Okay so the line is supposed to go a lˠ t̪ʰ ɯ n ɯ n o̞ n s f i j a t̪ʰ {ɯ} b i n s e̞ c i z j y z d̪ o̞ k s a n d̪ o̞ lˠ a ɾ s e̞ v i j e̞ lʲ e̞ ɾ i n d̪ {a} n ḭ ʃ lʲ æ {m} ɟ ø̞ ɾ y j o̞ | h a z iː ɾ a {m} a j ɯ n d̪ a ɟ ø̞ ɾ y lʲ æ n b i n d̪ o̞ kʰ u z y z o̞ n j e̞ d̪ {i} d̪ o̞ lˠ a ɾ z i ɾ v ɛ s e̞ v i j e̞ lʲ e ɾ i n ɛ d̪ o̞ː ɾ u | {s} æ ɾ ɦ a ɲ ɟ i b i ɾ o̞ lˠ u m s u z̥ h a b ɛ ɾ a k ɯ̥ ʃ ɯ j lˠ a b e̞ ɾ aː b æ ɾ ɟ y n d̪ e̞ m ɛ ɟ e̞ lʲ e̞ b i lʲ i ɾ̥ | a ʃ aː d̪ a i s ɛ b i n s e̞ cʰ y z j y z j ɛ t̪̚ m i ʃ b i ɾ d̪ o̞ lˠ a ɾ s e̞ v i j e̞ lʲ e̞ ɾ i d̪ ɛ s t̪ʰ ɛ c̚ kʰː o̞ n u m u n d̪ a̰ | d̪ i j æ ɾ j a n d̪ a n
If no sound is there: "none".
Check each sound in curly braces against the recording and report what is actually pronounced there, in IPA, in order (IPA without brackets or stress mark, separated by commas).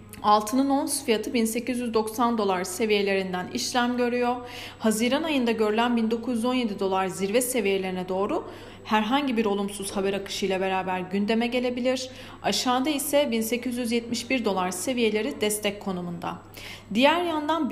ɯ, æ, m, n, i, h